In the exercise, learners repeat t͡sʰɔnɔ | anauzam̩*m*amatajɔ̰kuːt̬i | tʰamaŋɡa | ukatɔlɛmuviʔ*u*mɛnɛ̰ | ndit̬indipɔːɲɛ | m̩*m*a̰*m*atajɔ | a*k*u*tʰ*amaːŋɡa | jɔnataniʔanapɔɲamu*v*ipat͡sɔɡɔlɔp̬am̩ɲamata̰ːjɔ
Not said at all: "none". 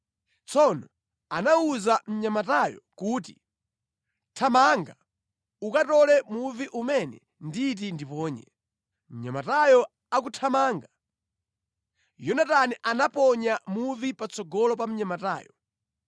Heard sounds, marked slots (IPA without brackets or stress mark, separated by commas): ɲ, u, ɲ, m, k, tʰ, v